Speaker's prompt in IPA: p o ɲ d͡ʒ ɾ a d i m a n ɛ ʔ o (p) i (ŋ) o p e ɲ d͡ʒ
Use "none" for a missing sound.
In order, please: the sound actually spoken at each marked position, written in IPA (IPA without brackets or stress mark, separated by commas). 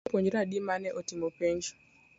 t, m